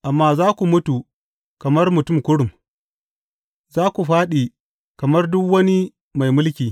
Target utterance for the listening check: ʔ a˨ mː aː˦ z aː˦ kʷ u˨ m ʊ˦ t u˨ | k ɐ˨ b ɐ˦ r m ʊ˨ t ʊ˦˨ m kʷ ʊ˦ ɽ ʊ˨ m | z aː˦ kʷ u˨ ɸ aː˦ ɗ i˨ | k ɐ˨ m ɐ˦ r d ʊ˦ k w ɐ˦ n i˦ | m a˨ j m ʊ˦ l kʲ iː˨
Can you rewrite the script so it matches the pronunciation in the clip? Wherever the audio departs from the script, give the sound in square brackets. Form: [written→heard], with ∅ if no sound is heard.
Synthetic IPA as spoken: ʔ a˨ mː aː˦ z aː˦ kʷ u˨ m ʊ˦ t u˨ | k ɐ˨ [b→m] ɐ˦ r m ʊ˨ t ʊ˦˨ m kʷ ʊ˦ ɽ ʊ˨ m | z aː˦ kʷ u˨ ɸ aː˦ ɗ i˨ | k ɐ˨ m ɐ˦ r d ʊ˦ k w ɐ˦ n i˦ | m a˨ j m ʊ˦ l kʲ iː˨